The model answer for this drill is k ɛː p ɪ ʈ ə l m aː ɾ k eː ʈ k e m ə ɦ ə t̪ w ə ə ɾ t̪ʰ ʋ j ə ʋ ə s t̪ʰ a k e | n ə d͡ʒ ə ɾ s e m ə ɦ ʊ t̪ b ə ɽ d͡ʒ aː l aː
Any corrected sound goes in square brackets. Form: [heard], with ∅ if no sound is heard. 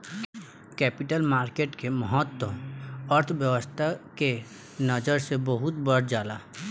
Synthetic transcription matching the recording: k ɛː p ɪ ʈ ə l m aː ɾ k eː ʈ k e m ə ɦ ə t̪ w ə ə ɾ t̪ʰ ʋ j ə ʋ ə s t̪ʰ a k e | n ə d͡ʒ ə ɾ s e [b] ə ɦ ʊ t̪ b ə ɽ d͡ʒ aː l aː